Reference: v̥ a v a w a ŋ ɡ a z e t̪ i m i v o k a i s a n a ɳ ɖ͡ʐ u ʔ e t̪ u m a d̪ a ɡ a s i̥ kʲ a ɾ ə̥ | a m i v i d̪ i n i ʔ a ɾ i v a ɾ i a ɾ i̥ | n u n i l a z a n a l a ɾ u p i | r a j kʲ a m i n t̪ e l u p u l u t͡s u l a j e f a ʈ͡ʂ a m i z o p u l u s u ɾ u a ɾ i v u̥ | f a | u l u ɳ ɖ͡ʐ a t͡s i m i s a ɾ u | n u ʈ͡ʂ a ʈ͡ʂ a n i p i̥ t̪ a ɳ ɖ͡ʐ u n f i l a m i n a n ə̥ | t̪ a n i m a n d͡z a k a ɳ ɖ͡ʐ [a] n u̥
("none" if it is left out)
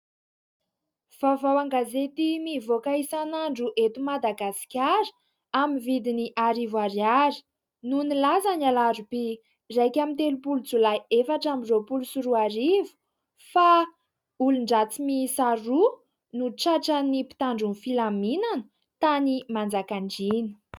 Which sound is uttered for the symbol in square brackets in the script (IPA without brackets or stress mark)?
i